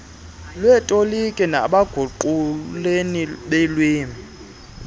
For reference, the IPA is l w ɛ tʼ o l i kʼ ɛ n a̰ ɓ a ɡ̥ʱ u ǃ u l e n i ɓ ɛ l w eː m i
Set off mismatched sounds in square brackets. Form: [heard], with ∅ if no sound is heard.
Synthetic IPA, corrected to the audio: l w ɛ tʼ o l i kʼ ɛ n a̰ ɓ a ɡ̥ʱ u ǃ u l e n i ɓ ɛ l w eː m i